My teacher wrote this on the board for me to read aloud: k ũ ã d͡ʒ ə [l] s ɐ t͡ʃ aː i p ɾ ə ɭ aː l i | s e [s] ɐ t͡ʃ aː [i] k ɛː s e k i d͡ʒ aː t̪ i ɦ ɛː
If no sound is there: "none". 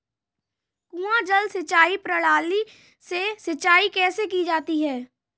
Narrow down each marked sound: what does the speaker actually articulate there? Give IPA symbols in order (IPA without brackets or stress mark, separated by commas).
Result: l, s, i